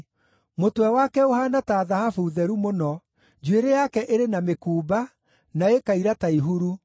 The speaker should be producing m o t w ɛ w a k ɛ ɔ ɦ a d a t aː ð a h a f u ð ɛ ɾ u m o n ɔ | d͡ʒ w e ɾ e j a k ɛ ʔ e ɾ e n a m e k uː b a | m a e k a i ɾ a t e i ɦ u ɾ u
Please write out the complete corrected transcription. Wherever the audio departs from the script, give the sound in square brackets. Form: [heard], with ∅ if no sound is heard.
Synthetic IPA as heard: m o t w ɛ w a k ɛ [o] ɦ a [n] a t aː ð a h a f u ð ɛ ɾ u m o n ɔ | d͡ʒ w e ɾ e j a k ɛ ʔ e ɾ e n a m e k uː b a | [n] a e k a i ɾ a t [a] i ɦ u ɾ u